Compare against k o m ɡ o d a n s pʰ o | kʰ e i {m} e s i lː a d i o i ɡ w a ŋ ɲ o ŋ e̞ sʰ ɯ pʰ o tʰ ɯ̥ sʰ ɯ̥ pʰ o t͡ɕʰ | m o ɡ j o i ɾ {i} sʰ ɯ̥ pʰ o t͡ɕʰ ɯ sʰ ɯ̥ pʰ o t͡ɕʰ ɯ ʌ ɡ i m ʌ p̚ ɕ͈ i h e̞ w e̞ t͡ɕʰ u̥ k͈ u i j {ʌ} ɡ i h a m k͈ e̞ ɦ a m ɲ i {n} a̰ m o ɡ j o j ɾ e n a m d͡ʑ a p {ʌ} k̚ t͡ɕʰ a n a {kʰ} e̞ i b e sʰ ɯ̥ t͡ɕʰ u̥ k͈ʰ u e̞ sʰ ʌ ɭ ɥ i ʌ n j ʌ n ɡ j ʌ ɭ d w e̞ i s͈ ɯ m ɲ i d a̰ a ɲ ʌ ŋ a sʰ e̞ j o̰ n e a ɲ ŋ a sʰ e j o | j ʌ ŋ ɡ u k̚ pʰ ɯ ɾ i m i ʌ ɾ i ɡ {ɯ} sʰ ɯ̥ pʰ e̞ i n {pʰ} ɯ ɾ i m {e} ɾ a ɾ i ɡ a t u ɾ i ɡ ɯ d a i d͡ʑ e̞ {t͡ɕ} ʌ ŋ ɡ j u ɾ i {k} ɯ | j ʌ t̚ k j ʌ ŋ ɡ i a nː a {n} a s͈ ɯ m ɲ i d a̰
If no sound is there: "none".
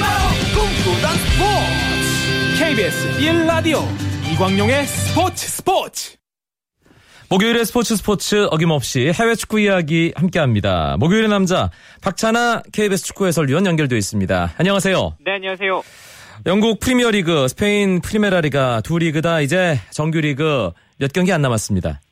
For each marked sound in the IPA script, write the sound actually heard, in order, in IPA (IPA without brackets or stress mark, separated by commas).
b, e, a, d, a, kʰ, ɯ, pʰ, e, t͡ɕ, ɡ, m